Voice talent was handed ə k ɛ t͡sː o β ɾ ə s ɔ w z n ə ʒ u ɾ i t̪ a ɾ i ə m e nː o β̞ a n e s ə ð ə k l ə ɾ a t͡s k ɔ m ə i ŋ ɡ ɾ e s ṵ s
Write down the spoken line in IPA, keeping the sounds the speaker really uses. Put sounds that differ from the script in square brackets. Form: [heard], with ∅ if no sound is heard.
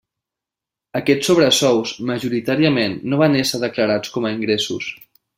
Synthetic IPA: ə k ɛ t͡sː o β ɾ ə s ɔ w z [m] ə ʒ u ɾ i t̪ a ɾ i ə m e nː o β̞ a n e s ə ð ə k l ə ɾ a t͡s k ɔ m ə i ŋ ɡ ɾ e s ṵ s